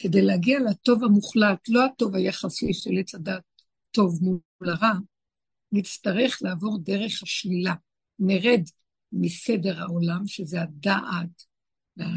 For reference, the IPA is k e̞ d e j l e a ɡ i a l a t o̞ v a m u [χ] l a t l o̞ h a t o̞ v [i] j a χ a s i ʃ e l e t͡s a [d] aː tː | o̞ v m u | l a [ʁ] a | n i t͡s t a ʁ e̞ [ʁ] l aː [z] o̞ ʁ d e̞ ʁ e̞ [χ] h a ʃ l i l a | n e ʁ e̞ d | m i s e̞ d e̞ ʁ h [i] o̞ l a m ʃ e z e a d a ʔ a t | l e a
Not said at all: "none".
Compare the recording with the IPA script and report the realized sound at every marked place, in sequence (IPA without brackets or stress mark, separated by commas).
χ, a, d, ʁ, χ, v, χ, a